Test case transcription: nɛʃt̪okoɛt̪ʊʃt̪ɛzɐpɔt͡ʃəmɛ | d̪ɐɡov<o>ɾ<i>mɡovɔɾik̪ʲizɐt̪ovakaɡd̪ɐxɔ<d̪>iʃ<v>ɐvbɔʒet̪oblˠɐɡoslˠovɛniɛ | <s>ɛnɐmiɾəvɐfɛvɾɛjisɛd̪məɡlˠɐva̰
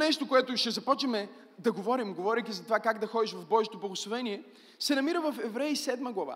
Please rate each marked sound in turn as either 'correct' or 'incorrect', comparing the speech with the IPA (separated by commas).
incorrect, correct, correct, correct, correct